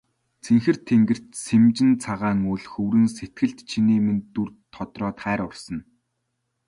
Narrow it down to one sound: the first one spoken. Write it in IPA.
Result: t͡sʰ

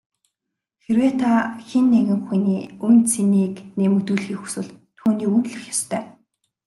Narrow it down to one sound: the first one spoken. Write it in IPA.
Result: x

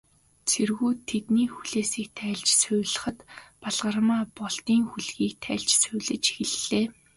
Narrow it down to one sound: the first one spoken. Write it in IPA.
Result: t͡sʰ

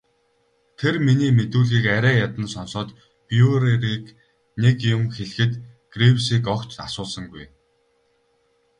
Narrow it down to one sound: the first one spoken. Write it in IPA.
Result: t̪ʰ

